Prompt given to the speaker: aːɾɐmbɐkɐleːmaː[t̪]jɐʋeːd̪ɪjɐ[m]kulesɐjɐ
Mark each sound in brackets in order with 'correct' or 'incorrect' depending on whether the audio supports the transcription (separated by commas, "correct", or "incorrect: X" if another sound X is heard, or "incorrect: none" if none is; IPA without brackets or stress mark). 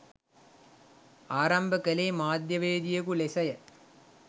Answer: incorrect: d̪, incorrect: none